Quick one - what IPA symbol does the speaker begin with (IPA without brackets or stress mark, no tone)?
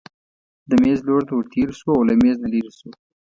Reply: d̪